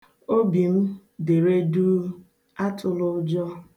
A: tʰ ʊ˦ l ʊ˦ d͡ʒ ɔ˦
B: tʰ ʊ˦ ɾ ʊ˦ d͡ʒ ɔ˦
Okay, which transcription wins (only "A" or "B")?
A